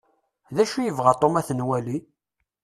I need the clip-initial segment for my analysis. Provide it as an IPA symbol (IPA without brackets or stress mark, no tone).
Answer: ð